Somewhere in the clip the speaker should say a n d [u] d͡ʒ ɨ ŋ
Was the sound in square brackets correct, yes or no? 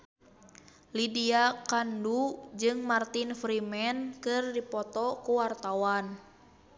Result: yes